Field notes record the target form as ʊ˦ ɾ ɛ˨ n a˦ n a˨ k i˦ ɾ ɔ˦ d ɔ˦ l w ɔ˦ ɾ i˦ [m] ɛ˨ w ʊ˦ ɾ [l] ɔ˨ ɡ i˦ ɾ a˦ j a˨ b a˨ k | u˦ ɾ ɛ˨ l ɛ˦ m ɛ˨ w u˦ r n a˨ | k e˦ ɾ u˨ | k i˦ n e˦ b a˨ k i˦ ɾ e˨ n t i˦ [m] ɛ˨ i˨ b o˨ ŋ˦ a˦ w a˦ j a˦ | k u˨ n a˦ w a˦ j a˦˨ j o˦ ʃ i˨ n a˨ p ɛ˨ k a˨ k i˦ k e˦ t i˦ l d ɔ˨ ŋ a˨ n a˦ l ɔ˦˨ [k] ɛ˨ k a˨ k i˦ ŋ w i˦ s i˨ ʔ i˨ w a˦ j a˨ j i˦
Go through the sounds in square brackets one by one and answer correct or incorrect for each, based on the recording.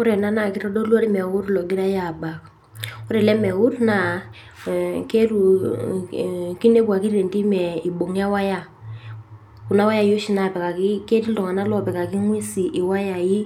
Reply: correct, correct, correct, incorrect: p

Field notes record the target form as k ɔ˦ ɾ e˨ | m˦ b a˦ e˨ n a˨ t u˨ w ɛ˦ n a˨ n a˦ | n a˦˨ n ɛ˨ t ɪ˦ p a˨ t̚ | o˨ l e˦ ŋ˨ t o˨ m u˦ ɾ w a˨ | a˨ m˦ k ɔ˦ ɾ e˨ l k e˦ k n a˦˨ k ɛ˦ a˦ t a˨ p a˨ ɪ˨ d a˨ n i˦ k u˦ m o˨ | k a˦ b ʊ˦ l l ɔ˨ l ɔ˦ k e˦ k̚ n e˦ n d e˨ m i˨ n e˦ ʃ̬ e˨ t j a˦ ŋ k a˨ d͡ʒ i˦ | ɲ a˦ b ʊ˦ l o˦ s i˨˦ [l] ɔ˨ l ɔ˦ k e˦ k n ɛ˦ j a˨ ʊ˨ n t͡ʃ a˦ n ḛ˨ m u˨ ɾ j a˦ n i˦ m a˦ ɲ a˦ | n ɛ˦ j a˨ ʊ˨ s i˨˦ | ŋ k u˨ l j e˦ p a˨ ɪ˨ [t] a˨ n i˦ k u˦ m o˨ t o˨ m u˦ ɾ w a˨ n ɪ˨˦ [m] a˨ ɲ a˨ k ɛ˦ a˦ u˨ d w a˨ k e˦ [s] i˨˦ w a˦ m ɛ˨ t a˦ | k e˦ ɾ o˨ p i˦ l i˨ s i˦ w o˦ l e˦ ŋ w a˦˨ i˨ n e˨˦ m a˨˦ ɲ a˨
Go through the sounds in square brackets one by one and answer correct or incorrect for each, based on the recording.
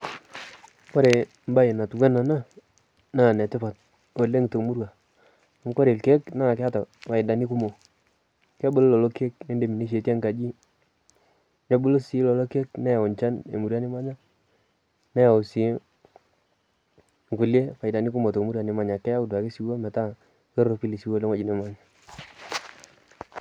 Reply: correct, incorrect: d, correct, correct

